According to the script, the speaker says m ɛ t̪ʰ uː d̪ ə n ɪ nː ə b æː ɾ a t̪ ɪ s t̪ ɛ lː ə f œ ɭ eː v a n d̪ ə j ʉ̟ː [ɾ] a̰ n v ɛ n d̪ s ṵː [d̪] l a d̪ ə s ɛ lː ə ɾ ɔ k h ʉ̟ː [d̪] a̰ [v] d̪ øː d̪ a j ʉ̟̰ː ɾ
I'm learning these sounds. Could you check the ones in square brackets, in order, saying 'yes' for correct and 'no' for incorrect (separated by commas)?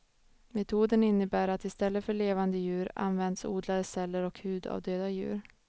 yes, yes, yes, yes